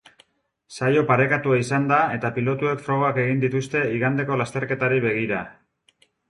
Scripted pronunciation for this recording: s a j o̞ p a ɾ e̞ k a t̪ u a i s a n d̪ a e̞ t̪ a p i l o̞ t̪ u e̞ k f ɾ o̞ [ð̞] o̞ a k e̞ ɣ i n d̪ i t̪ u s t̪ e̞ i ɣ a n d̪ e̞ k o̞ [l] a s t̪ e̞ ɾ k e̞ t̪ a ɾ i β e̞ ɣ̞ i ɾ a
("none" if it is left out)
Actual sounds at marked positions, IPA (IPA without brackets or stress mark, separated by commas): ɣ̞, l